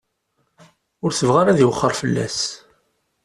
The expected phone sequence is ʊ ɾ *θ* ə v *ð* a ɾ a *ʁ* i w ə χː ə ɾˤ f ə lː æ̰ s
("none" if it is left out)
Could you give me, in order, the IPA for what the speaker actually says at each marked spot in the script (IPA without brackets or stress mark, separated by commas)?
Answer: θ, ʁ, ð